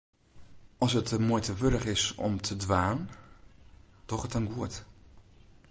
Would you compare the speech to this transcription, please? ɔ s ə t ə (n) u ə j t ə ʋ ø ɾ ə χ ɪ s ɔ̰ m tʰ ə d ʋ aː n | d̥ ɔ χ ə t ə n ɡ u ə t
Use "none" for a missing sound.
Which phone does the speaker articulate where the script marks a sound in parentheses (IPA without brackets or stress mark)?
m